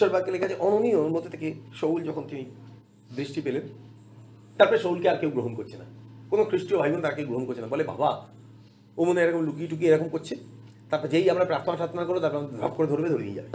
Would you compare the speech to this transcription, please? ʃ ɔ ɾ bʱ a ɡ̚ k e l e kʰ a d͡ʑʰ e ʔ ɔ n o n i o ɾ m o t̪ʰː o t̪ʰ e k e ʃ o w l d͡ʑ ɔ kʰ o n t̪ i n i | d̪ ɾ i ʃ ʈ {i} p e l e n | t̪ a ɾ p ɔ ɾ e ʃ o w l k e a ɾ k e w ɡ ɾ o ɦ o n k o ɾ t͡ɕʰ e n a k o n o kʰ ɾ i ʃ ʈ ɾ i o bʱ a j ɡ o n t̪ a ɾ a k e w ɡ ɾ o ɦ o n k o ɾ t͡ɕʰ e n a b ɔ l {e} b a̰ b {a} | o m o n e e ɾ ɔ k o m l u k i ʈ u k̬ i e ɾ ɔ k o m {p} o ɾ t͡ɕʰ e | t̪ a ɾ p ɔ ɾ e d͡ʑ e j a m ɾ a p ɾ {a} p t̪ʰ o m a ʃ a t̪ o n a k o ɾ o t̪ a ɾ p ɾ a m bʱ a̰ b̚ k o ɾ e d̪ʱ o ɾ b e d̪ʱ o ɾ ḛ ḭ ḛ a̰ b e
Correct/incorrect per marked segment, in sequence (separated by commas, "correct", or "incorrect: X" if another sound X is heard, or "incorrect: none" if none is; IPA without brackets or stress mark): correct, correct, correct, incorrect: k, correct